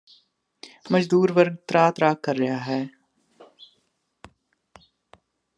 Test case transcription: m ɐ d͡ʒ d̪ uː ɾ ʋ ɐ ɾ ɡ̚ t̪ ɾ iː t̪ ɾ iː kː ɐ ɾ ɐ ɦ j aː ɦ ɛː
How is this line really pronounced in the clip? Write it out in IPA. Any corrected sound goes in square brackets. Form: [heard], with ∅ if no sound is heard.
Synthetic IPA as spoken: m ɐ d͡ʒ d̪ uː ɾ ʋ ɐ ɾ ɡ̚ t̪ ɾ [aː] t̪ ɾ [aː] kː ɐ [ɾː] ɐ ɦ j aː ɦ ɛː